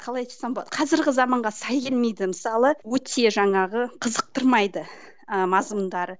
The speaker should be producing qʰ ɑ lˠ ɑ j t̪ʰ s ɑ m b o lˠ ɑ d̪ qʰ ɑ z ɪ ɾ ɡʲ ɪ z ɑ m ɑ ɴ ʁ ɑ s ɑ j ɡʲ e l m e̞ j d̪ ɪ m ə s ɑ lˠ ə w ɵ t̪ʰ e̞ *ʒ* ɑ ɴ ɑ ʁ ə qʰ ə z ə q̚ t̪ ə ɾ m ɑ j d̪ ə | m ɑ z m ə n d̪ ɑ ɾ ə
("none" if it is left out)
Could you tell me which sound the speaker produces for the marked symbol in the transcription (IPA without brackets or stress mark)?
ʒ